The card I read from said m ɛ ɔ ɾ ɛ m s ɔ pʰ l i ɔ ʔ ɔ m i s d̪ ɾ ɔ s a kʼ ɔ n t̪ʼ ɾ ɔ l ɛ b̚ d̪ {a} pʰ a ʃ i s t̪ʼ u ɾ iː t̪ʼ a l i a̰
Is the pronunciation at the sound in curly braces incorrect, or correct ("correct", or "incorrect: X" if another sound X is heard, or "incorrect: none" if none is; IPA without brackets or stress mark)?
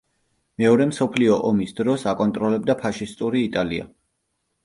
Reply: correct